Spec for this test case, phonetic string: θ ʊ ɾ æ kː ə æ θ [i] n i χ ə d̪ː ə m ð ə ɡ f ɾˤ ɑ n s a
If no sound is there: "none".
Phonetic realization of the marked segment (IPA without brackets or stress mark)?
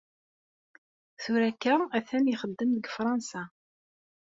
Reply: æ